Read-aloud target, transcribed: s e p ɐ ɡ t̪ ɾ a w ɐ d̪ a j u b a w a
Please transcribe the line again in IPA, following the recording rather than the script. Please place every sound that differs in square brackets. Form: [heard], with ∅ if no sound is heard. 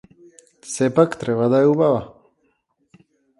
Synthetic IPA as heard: s e p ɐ [k] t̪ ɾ [e] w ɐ d̪ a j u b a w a